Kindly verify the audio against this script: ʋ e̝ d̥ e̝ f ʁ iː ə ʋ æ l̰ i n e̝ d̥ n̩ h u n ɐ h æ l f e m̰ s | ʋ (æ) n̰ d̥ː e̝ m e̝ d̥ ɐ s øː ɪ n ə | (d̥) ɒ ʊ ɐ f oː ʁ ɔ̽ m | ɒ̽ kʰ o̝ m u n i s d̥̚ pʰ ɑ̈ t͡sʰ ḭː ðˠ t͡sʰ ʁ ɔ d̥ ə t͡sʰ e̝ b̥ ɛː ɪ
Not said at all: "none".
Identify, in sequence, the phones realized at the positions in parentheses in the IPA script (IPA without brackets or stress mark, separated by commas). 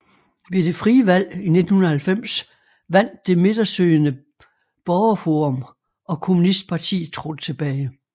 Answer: æ, b̥